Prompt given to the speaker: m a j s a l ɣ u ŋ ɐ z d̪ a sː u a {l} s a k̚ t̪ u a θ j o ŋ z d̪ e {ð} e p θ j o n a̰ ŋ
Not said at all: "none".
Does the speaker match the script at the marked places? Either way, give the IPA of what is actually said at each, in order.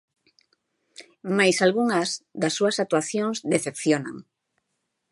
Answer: none, θ

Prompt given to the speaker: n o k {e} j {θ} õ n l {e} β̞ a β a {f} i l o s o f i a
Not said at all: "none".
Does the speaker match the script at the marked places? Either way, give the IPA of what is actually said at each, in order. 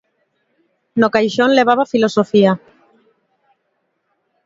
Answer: a, ʃ, e, f

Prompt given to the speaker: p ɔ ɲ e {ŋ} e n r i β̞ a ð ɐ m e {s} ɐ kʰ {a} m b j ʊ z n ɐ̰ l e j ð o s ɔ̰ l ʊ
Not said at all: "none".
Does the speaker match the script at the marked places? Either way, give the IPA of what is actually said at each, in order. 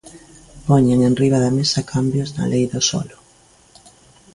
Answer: ŋ, s, a

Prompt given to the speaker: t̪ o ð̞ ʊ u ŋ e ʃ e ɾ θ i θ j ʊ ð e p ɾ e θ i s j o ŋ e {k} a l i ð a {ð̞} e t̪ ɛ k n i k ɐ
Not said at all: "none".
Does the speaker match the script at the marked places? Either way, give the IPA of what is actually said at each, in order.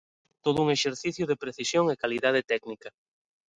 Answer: k, ð̞

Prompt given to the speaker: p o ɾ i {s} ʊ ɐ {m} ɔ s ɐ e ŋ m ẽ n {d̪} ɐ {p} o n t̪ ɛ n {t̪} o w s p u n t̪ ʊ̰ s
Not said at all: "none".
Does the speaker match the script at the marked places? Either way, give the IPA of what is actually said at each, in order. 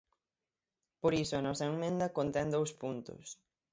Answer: s, n, d̪, k, d̪

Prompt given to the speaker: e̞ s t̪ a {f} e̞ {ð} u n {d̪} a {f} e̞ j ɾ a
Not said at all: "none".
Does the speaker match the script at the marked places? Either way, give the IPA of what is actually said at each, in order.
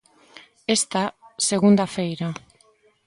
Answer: s, ɣ, d̪, f

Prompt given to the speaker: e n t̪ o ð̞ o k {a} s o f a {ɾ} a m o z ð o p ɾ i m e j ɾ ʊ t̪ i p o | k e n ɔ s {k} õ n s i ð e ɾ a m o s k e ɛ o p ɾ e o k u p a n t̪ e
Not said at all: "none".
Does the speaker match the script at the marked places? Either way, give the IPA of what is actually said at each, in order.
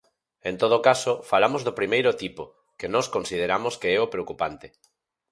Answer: a, l, k

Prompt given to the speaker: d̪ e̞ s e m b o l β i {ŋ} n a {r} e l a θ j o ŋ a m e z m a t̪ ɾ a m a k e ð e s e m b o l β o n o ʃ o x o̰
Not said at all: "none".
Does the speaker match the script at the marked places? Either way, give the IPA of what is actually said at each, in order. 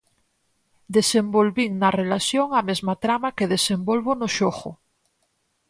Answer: ŋ, r

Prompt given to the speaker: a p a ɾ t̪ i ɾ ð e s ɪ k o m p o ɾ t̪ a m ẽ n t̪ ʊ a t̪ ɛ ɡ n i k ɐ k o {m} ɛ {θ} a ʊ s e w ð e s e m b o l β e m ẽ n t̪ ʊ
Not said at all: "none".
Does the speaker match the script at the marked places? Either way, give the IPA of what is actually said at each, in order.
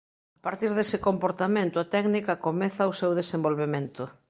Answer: m, θ

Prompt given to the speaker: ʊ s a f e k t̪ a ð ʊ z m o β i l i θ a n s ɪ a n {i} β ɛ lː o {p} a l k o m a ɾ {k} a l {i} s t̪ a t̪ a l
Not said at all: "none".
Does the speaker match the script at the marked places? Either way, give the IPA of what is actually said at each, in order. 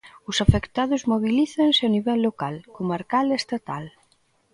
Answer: i, k, k, e

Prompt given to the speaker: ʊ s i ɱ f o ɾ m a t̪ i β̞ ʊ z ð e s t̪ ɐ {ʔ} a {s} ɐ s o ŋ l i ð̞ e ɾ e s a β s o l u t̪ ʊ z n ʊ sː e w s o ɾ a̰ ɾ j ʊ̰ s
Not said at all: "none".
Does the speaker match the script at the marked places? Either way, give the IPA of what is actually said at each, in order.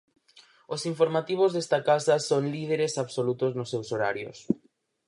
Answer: k, s

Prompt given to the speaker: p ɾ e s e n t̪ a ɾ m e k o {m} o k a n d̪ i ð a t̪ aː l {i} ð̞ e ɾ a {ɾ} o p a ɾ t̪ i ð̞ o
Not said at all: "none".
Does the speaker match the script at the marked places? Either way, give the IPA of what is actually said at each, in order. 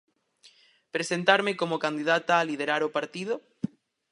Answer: m, i, ɾ

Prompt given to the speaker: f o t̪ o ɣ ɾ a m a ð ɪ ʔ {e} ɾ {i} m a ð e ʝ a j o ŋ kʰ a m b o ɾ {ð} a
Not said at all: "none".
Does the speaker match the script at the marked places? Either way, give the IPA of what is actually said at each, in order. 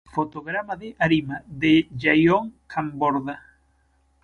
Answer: a, i, ð

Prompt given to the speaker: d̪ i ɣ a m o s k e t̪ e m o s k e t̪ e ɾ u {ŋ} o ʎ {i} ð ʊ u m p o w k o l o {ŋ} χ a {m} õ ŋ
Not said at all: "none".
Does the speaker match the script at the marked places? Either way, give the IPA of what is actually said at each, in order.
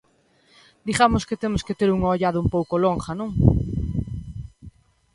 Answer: ŋ, a, ŋ, n

